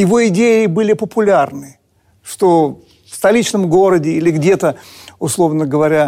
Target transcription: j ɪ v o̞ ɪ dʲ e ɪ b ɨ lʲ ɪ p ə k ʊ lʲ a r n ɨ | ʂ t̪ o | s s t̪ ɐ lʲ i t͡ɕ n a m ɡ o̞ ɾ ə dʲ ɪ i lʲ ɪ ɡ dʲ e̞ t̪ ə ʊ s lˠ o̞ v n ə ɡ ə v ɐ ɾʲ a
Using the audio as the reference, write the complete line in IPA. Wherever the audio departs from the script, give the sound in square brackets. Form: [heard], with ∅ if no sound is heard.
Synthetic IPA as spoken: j ɪ v o̞ ɪ dʲ e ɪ b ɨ lʲ ɪ p ə [p] ʊ lʲ a r n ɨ | ʂ t̪ o | [f] s t̪ ɐ lʲ i t͡ɕ n [ə] m ɡ o̞ ɾ ə dʲ ɪ i lʲ ɪ ɡ dʲ e̞ t̪ ə ʊ s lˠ o̞ v n ə ɡ ə v ɐ ɾʲ a